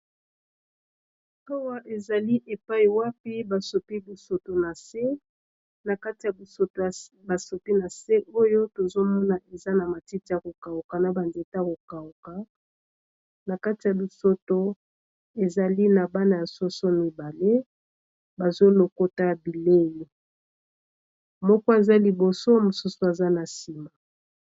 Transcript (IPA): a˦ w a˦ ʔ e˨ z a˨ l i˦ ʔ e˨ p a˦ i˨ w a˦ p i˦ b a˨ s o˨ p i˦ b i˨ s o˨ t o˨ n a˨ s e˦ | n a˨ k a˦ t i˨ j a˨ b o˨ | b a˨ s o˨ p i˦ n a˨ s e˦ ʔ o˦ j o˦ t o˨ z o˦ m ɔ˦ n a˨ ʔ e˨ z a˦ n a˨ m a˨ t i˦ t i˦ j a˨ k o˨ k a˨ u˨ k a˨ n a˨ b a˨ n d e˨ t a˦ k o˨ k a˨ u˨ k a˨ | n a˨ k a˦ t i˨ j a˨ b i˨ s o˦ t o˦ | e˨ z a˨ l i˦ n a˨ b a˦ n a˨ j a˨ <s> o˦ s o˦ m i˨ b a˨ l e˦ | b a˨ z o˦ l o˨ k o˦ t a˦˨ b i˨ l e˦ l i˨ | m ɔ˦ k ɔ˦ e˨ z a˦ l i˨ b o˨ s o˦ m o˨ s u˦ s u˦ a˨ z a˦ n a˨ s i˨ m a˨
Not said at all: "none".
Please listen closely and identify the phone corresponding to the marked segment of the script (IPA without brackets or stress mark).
s